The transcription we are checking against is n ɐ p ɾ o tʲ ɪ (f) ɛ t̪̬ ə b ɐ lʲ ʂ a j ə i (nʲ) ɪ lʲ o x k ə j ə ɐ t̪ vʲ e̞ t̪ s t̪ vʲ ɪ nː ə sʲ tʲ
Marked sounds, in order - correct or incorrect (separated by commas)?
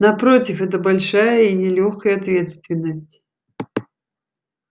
correct, correct